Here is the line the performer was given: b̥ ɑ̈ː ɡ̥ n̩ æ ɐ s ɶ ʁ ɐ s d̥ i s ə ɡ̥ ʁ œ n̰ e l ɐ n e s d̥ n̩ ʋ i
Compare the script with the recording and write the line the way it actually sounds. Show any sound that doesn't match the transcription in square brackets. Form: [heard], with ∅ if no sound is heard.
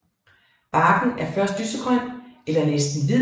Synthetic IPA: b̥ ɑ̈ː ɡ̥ n̩ æ ɐ [f] ɶ [∅] ɐ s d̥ [y] s ə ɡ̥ ʁ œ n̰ e l ɐ n e s d̥ n̩ ʋ i